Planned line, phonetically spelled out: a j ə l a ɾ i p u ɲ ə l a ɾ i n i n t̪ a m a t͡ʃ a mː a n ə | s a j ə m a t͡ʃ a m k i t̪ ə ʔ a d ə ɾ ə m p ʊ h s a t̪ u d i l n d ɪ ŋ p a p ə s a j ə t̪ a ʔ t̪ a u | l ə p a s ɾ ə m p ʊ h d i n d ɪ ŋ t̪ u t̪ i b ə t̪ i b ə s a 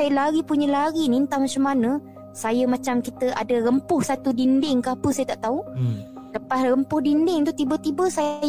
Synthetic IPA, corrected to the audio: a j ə l a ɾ i p u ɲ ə l a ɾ i n i n t̪ a m a t͡ʃ a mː a n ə | s a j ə m a t͡ʃ a m k i t̪ ə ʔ a d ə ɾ ə m p ʊ h s a t̪ u d i n d ɪ ŋ k a p ə s a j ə t̪ a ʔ t̪ a u | l ə p a s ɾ ə m p ʊ h d i n d ɪ ŋ t̪ u t̪ i b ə t̪ i b ə s a